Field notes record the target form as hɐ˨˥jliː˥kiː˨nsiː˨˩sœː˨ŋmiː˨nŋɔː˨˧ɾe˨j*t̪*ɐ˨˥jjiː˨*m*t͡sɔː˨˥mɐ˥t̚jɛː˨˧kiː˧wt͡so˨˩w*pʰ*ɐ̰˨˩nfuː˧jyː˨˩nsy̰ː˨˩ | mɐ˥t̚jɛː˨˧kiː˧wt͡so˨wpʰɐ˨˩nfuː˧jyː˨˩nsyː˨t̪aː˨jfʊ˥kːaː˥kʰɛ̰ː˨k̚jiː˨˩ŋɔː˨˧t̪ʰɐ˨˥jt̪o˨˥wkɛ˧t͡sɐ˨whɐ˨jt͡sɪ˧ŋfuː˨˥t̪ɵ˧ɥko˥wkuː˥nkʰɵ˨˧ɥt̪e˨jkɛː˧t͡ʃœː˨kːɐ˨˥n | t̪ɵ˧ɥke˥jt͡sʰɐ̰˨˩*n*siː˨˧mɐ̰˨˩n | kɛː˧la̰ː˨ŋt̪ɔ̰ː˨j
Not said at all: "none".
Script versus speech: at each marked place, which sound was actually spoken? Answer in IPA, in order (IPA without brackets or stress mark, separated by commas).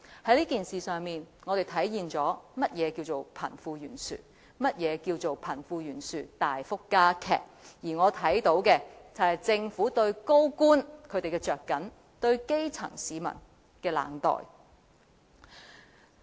t̪ʰ, n, pʰ, ŋ